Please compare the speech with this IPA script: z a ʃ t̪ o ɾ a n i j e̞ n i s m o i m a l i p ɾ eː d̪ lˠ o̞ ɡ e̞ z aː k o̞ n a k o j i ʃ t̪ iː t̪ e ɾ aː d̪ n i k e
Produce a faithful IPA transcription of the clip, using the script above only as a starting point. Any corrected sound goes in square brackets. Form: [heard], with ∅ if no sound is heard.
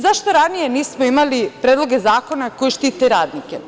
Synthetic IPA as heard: z a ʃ t̪ o ɾ a n i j e̞ n [iː] s m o i m a l i p ɾ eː d̪ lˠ o̞ ɡ e̞ z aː k o̞ n a k o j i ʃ t̪ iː t̪ e ɾ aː d̪ n i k e